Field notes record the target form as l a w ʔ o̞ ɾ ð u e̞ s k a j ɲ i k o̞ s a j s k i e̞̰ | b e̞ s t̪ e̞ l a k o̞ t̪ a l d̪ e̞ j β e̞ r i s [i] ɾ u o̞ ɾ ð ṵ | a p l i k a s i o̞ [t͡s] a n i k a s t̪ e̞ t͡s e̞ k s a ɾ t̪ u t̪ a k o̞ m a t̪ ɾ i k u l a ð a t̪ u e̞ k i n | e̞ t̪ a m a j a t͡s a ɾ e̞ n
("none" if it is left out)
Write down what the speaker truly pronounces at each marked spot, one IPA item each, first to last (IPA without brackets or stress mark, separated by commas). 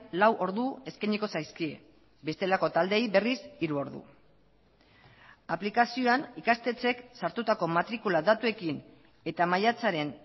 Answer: i, none